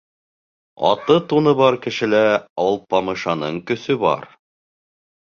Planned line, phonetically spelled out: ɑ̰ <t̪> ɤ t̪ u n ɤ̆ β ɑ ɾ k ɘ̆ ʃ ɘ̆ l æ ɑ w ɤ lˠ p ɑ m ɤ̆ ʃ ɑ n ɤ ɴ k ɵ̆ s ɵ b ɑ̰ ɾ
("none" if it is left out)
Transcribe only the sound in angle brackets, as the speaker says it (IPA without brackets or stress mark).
t̪